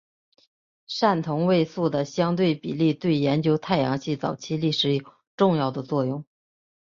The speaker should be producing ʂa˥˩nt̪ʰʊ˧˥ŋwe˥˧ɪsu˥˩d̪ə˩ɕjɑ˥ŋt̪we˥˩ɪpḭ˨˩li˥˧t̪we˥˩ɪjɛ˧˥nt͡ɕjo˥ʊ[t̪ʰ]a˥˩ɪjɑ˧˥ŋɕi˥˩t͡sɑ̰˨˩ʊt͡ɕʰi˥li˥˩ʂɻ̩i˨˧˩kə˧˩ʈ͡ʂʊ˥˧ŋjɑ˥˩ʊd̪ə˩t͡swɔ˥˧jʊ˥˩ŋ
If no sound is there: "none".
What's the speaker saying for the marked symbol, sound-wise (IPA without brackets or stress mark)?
t̪ʰ